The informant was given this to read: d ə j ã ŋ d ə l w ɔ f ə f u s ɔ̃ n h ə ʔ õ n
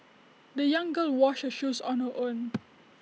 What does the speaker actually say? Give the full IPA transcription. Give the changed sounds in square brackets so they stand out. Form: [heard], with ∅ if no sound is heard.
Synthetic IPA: d ə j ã ŋ [ɡ] ə l w ɔ [ʃ] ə [ʃ] u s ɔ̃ n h ə ʔ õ n